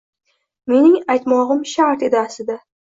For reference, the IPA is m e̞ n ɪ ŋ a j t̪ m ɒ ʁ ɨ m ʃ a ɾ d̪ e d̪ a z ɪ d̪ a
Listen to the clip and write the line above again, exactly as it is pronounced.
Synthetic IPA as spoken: m e̞ n ɪ ŋ a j t̪ m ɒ ʁ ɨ m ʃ a ɾ t̪ e d̪ a s ɪ d̪ a